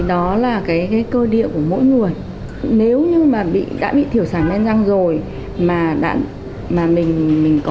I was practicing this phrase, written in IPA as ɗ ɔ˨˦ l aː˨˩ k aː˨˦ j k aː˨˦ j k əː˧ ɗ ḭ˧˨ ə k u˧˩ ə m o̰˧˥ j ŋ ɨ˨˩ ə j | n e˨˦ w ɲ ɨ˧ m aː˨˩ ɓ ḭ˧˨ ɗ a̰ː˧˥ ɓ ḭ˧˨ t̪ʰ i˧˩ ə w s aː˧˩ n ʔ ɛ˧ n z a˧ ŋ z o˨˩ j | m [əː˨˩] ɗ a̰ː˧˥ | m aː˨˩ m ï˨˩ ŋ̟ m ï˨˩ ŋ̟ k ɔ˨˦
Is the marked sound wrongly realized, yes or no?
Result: yes